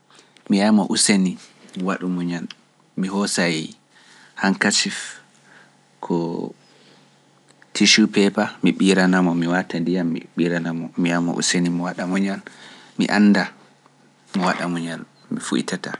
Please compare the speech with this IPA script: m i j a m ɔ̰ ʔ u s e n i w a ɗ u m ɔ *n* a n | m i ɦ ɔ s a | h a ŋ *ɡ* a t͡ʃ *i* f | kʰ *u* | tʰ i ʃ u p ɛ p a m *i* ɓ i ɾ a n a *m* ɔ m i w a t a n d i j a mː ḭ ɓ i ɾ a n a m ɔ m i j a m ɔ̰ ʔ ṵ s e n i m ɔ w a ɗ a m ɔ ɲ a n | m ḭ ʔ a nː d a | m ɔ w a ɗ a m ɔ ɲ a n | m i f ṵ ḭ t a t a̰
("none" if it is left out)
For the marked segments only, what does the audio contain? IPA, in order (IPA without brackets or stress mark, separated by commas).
ɲ, k, i, ɔ, i, m